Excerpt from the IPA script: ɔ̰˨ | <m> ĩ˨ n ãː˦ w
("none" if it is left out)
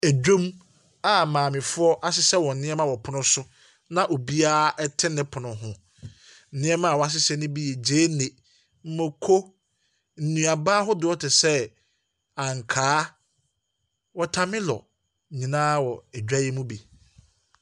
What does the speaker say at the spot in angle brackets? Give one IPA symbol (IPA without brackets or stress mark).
ɲ